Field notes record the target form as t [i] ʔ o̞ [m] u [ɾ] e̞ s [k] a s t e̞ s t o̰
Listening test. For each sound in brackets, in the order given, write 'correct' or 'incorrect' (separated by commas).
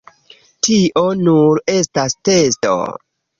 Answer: correct, incorrect, correct, incorrect